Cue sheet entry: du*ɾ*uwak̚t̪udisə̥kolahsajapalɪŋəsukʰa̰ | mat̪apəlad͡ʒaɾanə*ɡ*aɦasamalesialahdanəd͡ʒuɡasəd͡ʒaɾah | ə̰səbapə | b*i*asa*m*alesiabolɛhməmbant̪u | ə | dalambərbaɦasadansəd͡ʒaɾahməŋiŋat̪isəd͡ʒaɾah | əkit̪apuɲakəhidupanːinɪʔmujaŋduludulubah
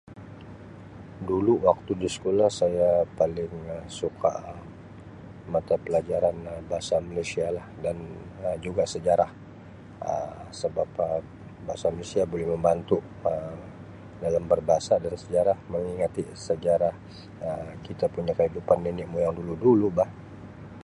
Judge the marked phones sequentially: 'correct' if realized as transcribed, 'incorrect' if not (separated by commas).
incorrect, incorrect, incorrect, correct